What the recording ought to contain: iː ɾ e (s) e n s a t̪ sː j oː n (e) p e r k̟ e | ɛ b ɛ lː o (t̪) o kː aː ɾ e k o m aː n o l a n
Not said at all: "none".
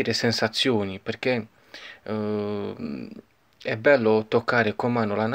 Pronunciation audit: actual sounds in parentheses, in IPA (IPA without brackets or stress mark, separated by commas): s, i, t̪